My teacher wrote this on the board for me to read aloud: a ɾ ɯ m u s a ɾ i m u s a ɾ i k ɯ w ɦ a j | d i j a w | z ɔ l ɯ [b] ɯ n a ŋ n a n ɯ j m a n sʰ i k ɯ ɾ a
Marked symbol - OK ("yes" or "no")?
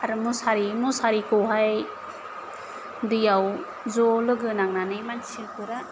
no